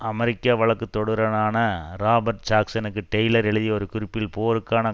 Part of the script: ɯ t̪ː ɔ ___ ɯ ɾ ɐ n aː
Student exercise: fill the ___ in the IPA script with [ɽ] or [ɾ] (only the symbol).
ɽ